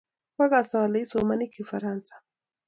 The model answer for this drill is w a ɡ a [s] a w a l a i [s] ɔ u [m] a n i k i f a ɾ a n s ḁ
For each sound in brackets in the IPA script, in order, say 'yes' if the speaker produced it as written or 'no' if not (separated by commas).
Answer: yes, yes, yes